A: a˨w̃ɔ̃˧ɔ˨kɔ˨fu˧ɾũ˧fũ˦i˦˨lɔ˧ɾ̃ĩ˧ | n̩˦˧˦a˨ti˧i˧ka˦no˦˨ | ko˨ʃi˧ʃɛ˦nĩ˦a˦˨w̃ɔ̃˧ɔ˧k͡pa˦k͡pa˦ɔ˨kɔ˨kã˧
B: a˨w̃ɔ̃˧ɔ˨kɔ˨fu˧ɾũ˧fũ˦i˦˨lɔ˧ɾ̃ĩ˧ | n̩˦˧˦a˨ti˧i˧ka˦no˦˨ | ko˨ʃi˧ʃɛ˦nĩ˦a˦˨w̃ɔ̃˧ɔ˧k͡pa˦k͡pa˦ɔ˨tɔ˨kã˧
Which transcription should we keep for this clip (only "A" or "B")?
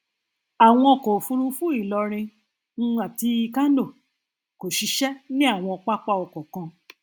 A